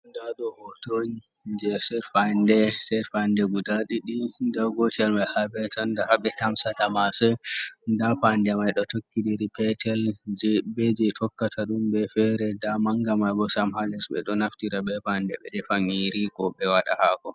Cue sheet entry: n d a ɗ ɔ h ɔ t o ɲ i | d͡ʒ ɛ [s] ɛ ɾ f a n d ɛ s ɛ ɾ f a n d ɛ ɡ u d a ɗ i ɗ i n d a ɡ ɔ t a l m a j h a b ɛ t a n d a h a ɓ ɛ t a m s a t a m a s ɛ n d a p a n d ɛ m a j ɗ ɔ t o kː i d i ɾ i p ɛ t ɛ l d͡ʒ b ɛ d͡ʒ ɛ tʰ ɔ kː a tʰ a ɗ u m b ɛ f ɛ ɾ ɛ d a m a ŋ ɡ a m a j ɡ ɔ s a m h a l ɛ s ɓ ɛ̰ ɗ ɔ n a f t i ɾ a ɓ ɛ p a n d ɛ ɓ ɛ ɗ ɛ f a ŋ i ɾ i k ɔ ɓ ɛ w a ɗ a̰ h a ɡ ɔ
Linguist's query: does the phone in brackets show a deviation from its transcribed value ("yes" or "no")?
no